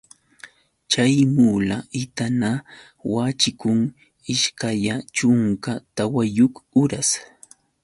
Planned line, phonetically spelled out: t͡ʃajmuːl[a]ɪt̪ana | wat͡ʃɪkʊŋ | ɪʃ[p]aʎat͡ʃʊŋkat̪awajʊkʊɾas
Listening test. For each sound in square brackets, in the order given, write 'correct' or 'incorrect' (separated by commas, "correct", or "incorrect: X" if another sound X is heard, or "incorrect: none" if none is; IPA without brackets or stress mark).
correct, incorrect: k